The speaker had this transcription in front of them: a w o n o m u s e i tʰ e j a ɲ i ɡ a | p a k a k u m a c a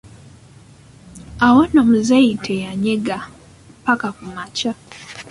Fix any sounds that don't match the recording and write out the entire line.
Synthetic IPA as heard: a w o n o m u z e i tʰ e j a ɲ e ɡ a | p a k a k u m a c a